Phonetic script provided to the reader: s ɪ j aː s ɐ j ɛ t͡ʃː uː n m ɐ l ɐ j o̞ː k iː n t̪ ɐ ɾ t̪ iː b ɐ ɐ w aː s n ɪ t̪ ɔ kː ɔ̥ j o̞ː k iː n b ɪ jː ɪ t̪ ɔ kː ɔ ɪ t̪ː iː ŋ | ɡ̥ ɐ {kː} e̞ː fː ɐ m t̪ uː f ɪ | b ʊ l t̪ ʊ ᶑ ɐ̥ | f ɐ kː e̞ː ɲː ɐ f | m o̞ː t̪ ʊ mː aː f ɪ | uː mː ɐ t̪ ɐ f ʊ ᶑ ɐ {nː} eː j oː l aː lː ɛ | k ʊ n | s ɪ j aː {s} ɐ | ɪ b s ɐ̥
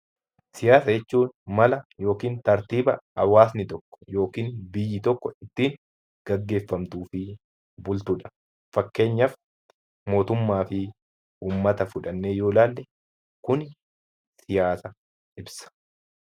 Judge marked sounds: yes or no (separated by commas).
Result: no, yes, yes